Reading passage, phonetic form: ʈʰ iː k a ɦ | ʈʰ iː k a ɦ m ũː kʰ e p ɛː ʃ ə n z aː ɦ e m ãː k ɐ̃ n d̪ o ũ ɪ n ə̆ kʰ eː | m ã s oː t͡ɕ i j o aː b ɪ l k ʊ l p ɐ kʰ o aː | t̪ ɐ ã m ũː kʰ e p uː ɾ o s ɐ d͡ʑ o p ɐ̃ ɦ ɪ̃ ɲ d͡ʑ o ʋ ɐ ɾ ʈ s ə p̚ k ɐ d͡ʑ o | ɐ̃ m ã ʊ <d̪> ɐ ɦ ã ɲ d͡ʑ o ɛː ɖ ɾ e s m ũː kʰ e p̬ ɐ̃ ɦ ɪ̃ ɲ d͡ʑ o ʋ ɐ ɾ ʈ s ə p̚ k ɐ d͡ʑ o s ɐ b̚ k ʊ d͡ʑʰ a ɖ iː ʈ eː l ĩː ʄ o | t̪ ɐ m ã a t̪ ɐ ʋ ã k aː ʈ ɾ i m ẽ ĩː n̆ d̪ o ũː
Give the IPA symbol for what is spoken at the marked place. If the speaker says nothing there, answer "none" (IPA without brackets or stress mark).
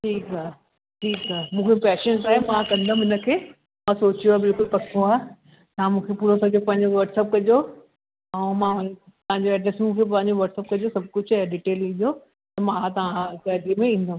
t̪